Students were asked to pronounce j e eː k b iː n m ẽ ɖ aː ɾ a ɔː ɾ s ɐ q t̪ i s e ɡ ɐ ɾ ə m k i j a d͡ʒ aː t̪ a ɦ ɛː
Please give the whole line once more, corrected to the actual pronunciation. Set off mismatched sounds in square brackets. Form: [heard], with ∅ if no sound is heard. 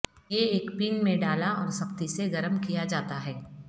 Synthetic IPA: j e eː k [p] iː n m ẽ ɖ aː [l] a ɔː ɾ s ɐ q t̪ i s e ɡ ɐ ɾ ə m k i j a d͡ʒ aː t̪ a ɦ ɛː